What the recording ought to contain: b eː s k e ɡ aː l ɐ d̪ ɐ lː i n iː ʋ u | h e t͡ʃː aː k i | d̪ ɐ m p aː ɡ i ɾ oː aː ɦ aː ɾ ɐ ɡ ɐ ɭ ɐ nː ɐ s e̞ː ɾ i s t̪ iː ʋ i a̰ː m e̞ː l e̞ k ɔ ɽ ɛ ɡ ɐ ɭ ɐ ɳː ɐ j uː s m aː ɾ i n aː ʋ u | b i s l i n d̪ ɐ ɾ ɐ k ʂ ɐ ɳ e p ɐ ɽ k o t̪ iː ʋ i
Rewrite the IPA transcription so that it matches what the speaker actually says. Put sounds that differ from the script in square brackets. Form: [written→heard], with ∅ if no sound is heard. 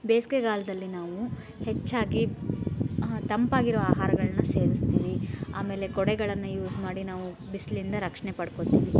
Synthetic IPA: b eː s k e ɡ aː l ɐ d̪ ɐ lː i n [iː→aː] ʋ u | h e t͡ʃː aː [k→ɡ] i | [d̪→t̪] ɐ m p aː ɡ i ɾ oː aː ɦ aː ɾ ɐ ɡ ɐ ɭ ɐ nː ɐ s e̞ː ɾ i s t̪ iː ʋ i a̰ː m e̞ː l e̞ k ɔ ɽ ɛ ɡ ɐ ɭ ɐ [ɳː→nː] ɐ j uː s m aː [ɾ→ɽ] i n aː ʋ u | b i s l i n d̪ ɐ ɾ ɐ k ʂ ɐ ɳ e p ɐ ɽ k o t̪ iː ʋ i

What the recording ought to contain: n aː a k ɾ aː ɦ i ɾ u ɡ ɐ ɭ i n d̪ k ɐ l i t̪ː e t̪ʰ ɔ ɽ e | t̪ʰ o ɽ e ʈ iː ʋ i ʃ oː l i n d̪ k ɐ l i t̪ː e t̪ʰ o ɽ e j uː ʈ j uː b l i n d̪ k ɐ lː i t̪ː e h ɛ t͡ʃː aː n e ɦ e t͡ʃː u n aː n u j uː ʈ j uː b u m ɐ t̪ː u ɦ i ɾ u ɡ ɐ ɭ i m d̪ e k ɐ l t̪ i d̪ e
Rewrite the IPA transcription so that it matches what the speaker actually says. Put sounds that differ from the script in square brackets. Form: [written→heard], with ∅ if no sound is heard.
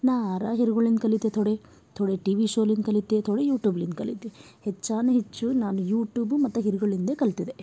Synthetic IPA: n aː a [k→∅] ɾ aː ɦ i ɾ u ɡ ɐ ɭ i n d̪ k ɐ l i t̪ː e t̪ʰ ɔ ɽ e | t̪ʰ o ɽ e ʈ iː ʋ i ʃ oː l i n d̪ k ɐ l i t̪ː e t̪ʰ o ɽ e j uː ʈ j uː b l i n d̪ k ɐ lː i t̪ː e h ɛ t͡ʃː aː n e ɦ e t͡ʃː u n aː n u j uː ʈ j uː b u m ɐ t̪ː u ɦ i ɾ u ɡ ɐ ɭ i [m→n] d̪ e k ɐ l t̪ i d̪ e

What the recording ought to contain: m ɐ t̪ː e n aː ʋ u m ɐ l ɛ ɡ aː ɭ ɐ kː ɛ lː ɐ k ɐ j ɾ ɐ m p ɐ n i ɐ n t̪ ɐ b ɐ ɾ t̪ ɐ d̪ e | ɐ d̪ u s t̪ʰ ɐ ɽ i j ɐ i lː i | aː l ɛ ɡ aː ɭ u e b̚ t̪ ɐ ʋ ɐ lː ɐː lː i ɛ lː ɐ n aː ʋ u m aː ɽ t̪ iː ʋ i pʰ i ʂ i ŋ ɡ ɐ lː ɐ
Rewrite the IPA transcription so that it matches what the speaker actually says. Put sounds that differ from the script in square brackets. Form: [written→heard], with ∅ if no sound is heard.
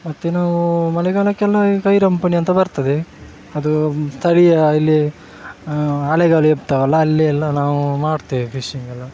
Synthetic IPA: m ɐ t̪ː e n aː ʋ u m ɐ l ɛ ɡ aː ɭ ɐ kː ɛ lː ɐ k ɐ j ɾ ɐ m p ɐ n i ɐ n t̪ ɐ b ɐ ɾ t̪ ɐ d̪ e | ɐ d̪ u s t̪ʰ ɐ ɽ i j ɐ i lː i | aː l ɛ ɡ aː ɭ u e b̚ t̪ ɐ ʋ ɐ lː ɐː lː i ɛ lː ɐ n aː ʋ u m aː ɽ t̪ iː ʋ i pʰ i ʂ i ŋ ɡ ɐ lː ɐ

